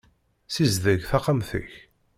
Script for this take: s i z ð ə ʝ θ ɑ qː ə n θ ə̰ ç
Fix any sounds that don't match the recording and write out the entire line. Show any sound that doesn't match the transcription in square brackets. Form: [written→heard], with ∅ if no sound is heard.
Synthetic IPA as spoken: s i z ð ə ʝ θ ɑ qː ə [n→m] θ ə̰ ç